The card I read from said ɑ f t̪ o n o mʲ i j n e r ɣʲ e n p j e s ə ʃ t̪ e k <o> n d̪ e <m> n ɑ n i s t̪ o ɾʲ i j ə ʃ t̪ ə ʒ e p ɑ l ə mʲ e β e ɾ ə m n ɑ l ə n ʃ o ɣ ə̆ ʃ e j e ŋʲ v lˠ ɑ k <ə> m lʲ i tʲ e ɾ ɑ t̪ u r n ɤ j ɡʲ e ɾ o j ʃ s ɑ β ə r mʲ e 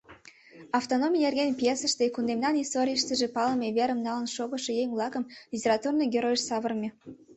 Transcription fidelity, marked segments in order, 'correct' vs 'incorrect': incorrect: u, correct, correct

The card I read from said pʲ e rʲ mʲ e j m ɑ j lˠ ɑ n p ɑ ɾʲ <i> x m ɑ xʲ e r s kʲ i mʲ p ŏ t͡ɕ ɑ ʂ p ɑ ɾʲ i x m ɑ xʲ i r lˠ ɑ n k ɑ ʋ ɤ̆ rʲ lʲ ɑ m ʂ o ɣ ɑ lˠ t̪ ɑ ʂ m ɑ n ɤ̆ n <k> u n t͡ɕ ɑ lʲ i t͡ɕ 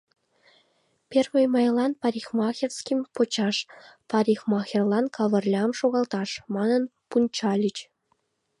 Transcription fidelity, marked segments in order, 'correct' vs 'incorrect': correct, incorrect: p

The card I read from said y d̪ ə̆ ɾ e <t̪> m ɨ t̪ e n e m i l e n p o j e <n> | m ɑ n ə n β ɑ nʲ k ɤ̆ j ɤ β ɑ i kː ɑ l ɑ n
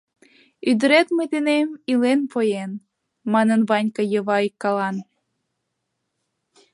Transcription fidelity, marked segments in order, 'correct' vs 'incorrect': correct, correct

